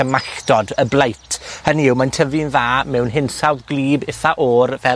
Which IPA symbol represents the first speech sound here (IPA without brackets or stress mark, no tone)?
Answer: ə